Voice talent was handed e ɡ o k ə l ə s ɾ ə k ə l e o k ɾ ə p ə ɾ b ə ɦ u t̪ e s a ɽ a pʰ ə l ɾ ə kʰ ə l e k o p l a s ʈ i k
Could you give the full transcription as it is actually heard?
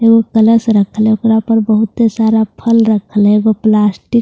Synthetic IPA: e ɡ o k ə l ə s ɾ ə kʰ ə l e o k ɾ a p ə ɾ b ə ɦ u t̪ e s a ɾ a pʰ ə l ɾ ə kʰ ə l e ɡ o p l a s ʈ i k